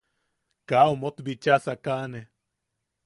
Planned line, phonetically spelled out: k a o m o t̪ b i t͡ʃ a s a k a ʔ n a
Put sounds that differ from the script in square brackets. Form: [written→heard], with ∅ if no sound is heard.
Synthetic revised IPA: k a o m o t̪ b i t͡ʃ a s a k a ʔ n [a→e]